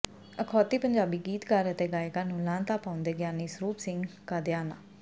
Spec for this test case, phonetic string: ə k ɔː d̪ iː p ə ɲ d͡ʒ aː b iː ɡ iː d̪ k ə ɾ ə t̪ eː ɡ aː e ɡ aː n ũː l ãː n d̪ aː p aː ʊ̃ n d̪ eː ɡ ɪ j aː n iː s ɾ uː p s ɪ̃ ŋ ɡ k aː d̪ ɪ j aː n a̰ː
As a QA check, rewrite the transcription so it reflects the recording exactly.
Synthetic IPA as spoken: ə kʰ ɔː t̪ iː p ə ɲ d͡ʒ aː b iː ɡ iː t̪ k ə ɾ ə t̪ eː ɡ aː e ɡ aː n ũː l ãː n t̪ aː p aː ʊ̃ n d̪ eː ɡ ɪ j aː n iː s ɾ uː p s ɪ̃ ŋ ɡ k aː d̪ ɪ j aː n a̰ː